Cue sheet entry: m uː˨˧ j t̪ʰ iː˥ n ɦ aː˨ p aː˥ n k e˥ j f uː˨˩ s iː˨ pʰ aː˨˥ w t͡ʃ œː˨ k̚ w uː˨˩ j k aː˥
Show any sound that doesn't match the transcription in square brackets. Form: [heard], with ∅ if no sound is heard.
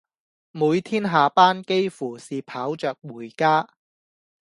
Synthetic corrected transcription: m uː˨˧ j t̪ʰ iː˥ n ɦ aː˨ p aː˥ n k e˥ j f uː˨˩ s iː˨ pʰ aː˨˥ w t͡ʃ œː˨ k̚ w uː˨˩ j k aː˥